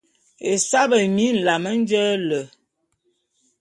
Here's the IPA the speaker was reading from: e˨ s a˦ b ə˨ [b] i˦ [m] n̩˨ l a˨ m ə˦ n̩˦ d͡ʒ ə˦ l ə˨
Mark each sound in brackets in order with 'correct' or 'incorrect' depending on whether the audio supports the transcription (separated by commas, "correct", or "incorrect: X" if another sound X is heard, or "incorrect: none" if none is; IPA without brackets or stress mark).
incorrect: m, incorrect: none